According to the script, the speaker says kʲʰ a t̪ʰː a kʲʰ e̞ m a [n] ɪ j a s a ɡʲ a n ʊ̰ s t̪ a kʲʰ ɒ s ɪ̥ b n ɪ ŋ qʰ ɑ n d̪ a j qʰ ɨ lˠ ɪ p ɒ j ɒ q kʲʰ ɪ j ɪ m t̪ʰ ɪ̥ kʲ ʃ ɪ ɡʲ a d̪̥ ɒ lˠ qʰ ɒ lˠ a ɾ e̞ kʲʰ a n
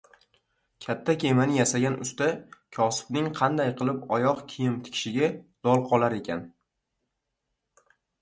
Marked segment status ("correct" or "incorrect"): correct